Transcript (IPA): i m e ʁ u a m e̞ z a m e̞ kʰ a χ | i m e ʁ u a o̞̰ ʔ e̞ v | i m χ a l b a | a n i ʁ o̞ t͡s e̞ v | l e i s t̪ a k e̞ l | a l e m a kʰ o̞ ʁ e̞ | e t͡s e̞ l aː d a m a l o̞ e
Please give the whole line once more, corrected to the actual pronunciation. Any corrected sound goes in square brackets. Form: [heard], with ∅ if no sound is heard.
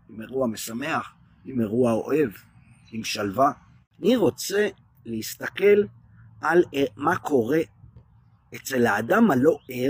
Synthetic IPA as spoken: i m e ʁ u a m e̞ [s] a m e̞ [∅] a χ | i m e ʁ u a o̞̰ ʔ e̞ v | i m [ʃ] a l [v] a | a n i ʁ o̞ t͡s e̞ [∅] | l e i s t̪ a k e̞ l | a l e m a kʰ o̞ ʁ e̞ | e t͡s e̞ l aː d a m a l o̞ e